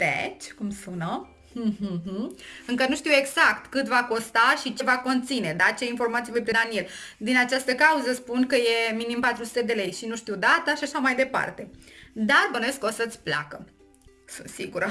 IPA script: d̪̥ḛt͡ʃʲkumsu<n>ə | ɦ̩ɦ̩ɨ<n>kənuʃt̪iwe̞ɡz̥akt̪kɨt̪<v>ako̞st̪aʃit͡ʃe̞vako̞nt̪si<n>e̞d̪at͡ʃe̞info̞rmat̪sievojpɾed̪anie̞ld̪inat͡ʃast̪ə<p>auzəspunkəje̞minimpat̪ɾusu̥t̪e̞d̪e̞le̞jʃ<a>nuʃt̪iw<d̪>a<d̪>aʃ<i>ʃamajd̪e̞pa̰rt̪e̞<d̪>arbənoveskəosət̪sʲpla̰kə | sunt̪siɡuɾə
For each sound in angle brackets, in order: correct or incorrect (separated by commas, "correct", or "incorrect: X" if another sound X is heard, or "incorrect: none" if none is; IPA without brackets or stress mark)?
correct, incorrect: ŋ, correct, correct, incorrect: k, incorrect: i, correct, incorrect: t̪, incorrect: a, correct